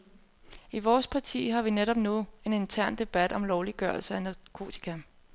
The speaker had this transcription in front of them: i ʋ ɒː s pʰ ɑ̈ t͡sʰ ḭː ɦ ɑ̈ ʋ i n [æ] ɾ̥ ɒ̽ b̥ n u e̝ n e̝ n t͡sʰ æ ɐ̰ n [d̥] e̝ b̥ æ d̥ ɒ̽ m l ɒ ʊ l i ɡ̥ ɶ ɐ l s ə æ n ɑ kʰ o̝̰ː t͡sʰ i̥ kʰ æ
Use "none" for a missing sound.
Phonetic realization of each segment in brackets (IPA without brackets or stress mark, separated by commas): e, d̥